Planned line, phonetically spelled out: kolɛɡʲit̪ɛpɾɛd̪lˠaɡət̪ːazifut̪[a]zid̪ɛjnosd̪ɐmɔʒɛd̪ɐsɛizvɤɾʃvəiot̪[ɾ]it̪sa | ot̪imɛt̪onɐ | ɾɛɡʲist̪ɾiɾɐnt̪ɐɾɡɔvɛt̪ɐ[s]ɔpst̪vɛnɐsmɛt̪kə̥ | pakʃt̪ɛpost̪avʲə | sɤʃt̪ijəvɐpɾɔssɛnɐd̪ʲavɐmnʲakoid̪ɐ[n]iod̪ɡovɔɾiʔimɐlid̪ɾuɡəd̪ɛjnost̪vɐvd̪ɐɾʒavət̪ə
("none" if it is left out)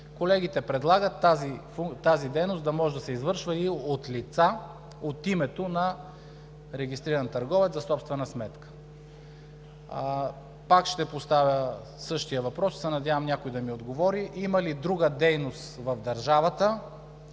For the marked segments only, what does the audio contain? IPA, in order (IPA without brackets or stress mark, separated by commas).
a, l, s, m